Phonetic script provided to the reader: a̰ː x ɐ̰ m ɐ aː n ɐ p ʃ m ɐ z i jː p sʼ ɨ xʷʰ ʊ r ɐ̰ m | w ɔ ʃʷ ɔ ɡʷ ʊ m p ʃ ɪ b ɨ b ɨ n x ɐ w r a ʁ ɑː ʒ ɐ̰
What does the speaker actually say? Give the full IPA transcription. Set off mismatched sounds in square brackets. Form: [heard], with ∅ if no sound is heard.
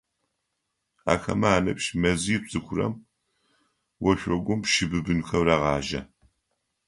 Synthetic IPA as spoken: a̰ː x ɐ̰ m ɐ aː n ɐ p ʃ m ɐ z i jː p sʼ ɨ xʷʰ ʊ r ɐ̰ m | w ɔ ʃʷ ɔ ɡʷ ʊ m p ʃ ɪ b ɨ b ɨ n x ɐ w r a ʁ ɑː ʒ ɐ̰